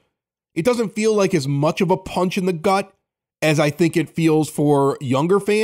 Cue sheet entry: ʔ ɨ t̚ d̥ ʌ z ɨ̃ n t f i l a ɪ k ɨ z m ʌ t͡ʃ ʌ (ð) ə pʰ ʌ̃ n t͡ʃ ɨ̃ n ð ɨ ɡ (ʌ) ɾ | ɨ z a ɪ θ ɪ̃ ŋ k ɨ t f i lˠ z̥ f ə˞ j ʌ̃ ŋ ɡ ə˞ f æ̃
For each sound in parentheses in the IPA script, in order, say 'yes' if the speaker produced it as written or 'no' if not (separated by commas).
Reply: no, yes